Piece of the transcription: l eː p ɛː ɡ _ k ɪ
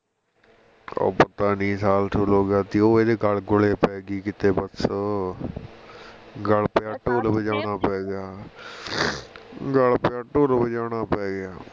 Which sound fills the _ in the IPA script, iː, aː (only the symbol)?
iː